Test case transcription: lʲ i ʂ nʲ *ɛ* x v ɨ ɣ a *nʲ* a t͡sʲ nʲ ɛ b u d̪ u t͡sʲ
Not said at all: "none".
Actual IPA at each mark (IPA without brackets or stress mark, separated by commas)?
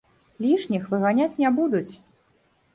i, nʲ